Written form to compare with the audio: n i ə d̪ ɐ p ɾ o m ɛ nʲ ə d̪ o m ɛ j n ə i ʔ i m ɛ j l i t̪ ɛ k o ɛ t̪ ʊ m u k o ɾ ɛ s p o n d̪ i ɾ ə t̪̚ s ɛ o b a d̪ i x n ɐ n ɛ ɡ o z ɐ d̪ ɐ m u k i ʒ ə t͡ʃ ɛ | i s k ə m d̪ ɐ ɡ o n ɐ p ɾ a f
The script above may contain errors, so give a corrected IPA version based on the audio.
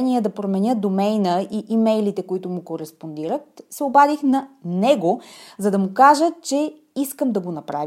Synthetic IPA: n i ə d̪ ɐ p ɾ o m ɛ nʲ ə d̪ o m ɛ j n ə i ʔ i m ɛ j l i t̪ ɛ k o i t̪ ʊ m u k o ɾ ɛ s p o n d̪ i ɾ ə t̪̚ s ɛ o b a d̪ i x n ɐ n ɛ ɡ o z ɐ d̪ ɐ m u k a ʒ ə t͡ʃ ɛ | i s k ə m d̪ ɐ ɡ o n ɐ p ɾ a v